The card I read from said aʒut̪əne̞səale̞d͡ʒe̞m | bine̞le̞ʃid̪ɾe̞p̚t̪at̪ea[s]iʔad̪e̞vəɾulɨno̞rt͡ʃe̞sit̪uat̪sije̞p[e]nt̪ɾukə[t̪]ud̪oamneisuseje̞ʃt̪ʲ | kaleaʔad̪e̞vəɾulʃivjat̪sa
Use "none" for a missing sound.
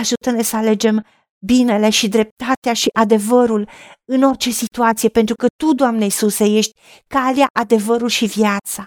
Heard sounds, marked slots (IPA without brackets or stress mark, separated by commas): ʃ, e, t̪